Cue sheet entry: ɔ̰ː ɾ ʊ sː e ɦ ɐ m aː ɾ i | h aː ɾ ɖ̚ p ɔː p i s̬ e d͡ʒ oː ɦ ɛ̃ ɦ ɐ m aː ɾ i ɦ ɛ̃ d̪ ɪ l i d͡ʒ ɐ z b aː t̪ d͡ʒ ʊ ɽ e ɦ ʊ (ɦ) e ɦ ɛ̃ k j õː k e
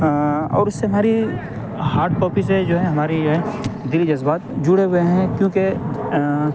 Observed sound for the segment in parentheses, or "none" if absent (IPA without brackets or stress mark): none